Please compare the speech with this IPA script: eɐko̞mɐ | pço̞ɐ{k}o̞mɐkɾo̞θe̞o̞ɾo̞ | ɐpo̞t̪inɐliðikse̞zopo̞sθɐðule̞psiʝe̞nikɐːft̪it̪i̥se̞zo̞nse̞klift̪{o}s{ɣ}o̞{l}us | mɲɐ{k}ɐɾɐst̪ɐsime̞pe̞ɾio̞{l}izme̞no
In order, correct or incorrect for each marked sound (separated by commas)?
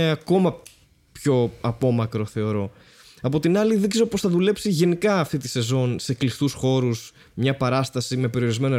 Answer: incorrect, incorrect, incorrect, incorrect, incorrect, incorrect